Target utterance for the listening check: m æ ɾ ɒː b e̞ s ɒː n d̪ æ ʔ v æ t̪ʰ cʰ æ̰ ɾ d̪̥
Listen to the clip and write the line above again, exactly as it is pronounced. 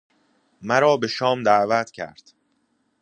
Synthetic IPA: m æ ɾ ɒː b e̞ ʃ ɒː m d̪ æ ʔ v æ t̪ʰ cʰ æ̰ ɾ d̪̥